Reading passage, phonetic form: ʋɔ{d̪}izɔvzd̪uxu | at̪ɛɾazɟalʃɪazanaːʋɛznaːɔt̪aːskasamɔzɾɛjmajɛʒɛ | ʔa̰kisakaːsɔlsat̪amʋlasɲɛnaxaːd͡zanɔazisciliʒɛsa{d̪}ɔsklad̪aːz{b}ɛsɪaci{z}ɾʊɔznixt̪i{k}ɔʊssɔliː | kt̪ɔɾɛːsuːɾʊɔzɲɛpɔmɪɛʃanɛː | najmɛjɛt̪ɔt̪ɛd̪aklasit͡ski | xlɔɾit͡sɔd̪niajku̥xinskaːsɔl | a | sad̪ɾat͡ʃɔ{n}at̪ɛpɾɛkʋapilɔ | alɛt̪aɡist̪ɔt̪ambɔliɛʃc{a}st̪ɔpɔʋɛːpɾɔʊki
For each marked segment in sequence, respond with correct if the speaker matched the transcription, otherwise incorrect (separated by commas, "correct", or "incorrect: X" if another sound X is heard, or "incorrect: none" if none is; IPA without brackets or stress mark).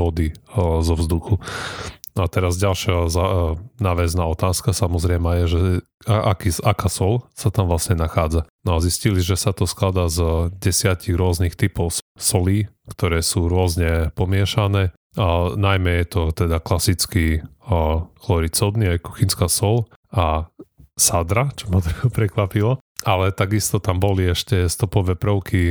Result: correct, incorrect: t̪, incorrect: ɟ, incorrect: ɣ, incorrect: p, incorrect: m, incorrect: ɛ